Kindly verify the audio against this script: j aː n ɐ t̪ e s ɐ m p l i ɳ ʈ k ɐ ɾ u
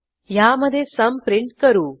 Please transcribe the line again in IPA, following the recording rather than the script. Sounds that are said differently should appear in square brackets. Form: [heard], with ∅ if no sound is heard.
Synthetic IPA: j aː [m] ɐ [d̪] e s ɐ m p [ɾ] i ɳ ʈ k ɐ ɾ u